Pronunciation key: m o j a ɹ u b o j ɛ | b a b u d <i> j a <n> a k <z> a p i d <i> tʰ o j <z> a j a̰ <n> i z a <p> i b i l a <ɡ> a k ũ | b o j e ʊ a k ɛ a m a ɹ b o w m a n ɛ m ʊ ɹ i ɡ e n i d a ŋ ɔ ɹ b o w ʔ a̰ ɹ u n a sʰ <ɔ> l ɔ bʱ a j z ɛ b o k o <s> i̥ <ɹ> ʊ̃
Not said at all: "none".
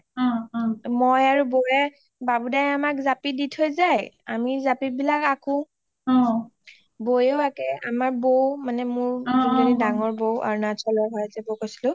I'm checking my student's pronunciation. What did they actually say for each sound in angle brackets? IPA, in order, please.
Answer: a, m, z, i, z, m, p, k, ɔ, s, l

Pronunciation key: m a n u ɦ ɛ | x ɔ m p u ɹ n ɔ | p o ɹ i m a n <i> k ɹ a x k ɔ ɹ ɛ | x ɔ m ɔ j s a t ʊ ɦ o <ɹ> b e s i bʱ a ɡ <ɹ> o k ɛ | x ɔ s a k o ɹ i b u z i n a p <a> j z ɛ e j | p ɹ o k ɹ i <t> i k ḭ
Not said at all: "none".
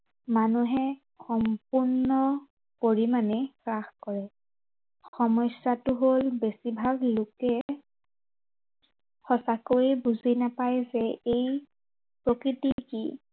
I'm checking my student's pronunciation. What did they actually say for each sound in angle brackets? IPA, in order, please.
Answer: ɛ, l, l, a, t

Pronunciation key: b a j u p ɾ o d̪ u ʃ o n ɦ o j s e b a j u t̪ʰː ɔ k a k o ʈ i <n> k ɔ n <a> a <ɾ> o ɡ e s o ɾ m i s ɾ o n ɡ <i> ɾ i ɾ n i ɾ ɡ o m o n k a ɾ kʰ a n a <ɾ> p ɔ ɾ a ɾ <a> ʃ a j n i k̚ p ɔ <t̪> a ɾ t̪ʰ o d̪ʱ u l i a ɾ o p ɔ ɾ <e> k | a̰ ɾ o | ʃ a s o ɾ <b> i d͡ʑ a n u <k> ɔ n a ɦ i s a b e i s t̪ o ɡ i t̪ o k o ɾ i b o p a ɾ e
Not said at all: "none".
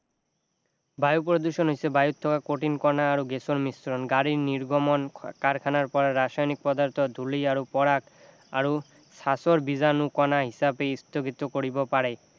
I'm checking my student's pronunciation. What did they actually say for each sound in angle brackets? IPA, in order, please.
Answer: n, a, ɾ, a, ɾ, a, d̪, a, b, k

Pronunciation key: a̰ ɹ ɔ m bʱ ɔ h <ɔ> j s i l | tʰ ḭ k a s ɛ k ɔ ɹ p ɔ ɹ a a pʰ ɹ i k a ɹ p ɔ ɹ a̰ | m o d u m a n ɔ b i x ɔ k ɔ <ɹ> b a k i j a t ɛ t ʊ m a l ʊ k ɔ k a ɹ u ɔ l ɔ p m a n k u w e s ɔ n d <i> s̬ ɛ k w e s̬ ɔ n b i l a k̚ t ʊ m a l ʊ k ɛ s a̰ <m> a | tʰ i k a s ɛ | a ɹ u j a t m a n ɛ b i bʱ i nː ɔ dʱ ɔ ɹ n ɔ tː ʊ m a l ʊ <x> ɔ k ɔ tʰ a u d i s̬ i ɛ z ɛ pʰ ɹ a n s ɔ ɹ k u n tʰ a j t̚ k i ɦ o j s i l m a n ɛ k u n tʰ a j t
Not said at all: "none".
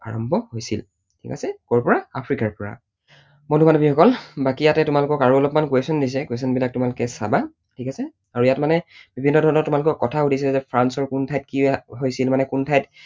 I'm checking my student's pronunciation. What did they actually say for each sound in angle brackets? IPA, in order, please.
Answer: o, l, i, b, k

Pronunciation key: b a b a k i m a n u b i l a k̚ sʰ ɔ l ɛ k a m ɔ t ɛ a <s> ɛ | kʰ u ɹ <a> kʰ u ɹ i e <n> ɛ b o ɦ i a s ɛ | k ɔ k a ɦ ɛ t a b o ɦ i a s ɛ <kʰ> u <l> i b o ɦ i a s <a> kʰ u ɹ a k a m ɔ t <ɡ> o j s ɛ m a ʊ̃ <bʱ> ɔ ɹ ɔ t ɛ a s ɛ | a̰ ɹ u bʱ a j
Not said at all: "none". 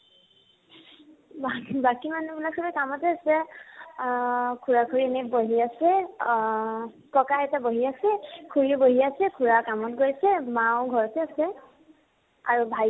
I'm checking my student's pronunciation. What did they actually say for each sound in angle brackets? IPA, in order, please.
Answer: s, a, n, kʰ, ɹ, ɛ, ɡ, ɡʱ

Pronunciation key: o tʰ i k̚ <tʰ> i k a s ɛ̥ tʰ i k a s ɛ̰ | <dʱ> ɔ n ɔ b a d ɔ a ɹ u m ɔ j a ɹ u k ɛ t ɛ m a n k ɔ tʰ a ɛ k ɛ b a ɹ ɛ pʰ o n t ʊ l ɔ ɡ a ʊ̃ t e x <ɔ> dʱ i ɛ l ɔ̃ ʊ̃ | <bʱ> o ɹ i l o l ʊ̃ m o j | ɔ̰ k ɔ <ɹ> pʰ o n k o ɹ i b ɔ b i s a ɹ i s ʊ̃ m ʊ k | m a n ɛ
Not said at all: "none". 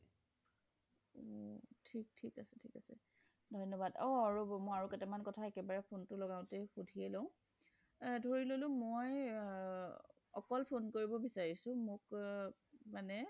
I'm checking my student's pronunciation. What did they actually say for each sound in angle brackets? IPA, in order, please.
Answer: tʰ, dʱ, u, dʱ, l

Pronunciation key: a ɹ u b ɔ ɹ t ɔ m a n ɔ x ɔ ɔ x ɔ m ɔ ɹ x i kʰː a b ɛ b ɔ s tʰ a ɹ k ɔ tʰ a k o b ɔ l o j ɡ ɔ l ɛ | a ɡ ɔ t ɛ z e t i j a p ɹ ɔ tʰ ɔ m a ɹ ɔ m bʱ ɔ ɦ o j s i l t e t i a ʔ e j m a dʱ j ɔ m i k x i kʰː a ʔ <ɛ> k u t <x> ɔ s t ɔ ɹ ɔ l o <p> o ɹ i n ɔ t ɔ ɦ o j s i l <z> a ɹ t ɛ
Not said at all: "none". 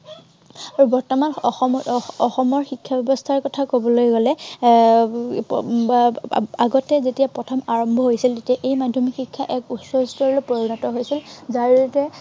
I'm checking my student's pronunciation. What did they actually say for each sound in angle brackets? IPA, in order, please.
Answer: ɛ, s, p, z

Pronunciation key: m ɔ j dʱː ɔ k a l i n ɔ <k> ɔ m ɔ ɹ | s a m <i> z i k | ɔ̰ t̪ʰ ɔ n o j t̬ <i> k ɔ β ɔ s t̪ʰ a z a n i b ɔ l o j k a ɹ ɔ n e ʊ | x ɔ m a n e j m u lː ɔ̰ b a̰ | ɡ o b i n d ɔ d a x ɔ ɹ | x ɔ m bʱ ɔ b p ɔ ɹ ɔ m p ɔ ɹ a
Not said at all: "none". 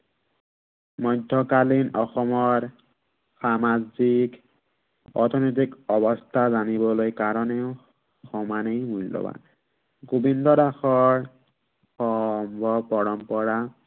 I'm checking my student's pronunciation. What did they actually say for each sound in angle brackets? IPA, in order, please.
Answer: x, a, i

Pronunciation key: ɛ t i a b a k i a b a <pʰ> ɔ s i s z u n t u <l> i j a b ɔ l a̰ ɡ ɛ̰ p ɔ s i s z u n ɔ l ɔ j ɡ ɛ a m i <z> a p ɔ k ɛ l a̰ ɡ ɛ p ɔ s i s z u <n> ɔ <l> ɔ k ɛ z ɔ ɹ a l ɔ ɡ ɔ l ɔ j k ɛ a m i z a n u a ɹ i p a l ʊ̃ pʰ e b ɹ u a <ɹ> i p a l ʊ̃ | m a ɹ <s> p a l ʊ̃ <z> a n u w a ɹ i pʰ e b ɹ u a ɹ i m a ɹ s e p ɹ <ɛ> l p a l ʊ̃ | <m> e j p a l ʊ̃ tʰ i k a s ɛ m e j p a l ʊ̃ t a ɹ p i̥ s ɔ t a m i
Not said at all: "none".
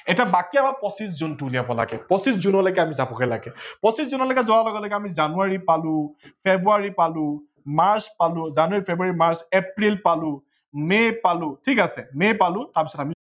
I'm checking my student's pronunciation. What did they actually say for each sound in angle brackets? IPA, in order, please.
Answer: p, l, z, n, l, ɹ, s, z, i, m

